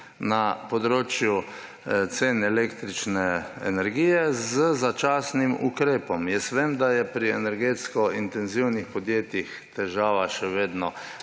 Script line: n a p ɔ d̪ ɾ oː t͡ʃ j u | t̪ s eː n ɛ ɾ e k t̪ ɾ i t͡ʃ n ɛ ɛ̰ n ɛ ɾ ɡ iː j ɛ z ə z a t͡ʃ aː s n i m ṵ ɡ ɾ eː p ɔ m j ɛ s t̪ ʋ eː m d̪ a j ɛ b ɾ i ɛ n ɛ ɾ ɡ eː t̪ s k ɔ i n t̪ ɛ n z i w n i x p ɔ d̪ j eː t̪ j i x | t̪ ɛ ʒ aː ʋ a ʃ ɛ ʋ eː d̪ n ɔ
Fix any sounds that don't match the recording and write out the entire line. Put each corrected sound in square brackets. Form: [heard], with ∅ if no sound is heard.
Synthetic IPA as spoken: n a p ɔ d̪ ɾ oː t͡ʃ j u | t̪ s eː n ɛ [l] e k t̪ ɾ i t͡ʃ n ɛ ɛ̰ n ɛ ɾ ɡ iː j ɛ z ə z a t͡ʃ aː s n i m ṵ [k] ɾ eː p ɔ m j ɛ s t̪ ʋ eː m d̪ a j ɛ [p] ɾ i ɛ n ɛ ɾ ɡ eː t̪ s k ɔ i n t̪ ɛ n z i w n i x p ɔ d̪ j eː t̪ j i x | t̪ ɛ ʒ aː ʋ a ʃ ɛ ʋ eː d̪ n ɔ